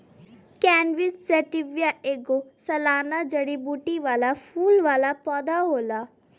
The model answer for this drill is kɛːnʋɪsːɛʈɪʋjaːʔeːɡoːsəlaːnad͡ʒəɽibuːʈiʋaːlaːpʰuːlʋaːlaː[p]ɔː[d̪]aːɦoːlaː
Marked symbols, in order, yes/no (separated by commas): yes, yes